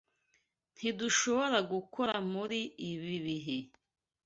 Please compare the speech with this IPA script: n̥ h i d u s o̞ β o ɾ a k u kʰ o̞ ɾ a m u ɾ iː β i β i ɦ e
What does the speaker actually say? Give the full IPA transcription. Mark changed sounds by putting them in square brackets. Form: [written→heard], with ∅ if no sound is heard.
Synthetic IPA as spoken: n̥ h i d u [s→ʃ] o̞ β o ɾ a [k→ɡ] u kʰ o̞ ɾ a m u ɾ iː β i β i ɦ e